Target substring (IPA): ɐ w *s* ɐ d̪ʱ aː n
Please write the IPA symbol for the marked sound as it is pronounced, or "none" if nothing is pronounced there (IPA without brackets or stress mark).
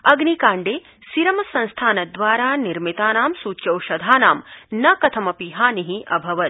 ʃ